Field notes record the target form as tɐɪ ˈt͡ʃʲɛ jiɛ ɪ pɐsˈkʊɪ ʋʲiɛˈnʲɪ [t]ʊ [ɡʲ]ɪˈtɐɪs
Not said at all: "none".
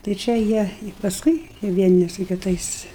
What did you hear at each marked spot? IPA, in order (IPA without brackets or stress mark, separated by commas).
s, kʲ